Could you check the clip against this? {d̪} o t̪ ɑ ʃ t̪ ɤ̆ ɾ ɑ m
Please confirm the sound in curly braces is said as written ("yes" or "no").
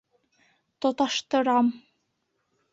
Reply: no